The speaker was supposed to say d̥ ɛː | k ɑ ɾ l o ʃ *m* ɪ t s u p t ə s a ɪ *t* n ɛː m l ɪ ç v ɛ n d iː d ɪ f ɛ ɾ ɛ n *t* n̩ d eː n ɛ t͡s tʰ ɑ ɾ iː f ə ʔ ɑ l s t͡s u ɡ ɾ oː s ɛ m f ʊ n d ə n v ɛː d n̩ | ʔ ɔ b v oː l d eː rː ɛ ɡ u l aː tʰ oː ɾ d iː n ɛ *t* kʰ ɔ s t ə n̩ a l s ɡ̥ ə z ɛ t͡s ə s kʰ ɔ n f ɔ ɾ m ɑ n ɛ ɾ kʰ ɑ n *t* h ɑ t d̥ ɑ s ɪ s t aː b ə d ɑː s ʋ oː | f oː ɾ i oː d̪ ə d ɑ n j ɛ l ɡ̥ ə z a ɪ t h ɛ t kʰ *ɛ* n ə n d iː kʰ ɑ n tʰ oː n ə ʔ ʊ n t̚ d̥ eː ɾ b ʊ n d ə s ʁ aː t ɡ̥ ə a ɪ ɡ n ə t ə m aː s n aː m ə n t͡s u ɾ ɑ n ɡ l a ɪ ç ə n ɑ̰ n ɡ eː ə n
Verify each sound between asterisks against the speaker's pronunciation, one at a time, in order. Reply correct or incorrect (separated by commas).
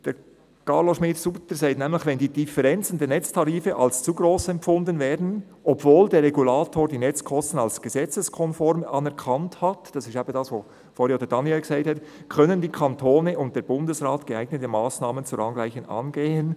correct, correct, incorrect, incorrect, correct, incorrect